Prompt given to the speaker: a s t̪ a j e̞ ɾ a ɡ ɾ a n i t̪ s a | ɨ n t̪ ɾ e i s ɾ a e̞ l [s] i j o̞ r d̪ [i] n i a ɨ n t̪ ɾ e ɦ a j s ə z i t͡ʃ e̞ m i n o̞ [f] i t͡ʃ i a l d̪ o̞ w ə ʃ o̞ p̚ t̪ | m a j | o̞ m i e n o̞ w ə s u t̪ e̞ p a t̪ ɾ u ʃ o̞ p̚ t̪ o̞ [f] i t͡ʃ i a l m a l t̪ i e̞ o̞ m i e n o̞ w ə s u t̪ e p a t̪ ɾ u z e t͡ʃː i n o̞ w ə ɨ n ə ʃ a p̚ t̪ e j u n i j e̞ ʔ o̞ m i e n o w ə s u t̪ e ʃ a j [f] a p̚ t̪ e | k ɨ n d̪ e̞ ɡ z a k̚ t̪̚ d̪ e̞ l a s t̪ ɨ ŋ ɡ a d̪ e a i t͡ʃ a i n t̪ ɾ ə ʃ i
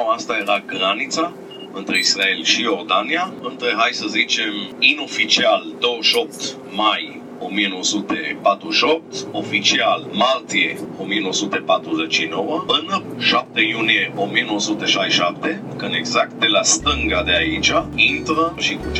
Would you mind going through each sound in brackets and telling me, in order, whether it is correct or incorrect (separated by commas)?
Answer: incorrect, incorrect, correct, correct, incorrect